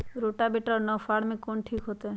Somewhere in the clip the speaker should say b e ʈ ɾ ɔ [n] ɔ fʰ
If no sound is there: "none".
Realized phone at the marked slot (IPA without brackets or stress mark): n